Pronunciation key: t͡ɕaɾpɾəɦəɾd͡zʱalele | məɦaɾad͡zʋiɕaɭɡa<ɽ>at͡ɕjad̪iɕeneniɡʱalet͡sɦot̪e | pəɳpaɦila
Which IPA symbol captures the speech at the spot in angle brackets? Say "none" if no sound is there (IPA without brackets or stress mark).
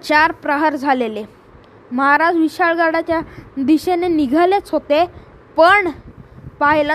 ɽ